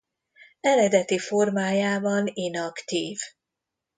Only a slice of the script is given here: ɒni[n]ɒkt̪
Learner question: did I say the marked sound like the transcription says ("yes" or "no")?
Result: yes